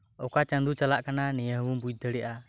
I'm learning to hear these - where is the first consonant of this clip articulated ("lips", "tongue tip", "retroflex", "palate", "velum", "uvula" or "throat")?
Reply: velum